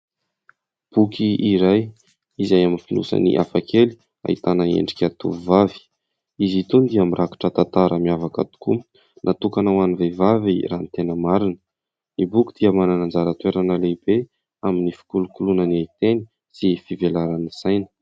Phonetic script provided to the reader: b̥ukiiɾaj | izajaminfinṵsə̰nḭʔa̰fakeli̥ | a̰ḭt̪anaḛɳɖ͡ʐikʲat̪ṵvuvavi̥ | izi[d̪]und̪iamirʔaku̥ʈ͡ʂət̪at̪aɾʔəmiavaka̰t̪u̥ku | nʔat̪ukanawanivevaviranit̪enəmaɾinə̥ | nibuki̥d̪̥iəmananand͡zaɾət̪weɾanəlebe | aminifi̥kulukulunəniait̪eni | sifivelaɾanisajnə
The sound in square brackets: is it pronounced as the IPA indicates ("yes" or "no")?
no